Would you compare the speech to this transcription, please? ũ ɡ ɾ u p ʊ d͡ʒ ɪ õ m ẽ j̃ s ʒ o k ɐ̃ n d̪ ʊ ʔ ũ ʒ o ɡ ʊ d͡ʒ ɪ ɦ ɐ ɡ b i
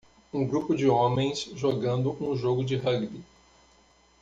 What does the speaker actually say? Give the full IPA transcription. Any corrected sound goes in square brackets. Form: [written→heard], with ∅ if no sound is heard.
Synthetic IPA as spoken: ũ ɡ ɾ u p ʊ d͡ʒ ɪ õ m ẽ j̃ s ʒ o [k→ɡ] ɐ̃ n d̪ ʊ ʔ ũ ʒ o ɡ ʊ d͡ʒ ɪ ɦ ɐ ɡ b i